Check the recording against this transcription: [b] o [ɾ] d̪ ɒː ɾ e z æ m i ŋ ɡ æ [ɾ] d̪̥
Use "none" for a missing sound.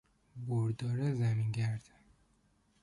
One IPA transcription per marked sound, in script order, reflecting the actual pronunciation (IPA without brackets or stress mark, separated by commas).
b, ɾ, ɾ